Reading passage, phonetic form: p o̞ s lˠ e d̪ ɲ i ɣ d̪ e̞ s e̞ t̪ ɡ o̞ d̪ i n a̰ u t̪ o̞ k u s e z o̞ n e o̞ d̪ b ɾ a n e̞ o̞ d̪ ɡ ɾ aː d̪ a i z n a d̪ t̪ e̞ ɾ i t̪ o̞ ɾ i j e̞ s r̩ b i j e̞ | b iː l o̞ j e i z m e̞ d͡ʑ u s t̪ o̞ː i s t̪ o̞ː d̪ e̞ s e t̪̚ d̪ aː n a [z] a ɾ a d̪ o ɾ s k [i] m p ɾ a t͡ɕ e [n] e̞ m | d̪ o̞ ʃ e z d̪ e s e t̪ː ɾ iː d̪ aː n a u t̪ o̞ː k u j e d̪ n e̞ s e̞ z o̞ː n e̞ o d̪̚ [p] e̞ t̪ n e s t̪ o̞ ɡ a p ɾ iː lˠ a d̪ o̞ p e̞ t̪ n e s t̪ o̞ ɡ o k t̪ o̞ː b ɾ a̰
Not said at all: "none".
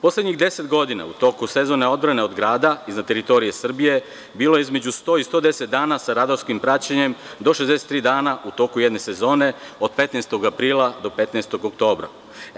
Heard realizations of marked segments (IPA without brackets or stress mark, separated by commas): s, i, ɲ, p